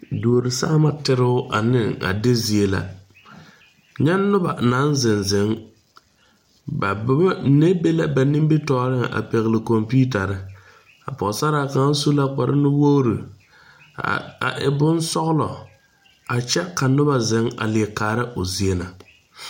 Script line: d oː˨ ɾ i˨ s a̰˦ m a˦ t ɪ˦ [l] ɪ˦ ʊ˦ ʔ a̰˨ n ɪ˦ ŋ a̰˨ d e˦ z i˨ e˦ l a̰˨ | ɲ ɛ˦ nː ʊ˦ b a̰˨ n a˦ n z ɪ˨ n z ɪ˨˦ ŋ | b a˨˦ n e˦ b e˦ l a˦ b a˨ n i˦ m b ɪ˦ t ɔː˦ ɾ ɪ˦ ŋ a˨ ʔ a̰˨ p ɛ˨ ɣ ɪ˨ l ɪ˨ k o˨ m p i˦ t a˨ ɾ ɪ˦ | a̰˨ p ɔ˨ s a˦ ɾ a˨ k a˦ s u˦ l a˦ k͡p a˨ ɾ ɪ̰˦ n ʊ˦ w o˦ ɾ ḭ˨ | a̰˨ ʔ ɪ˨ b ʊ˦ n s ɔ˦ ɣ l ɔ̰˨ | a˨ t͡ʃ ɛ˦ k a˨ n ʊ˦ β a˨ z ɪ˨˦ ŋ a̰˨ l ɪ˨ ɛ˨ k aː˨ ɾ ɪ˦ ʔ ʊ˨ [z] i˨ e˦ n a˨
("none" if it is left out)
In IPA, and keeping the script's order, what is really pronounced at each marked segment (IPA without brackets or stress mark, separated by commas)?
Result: ɾ, z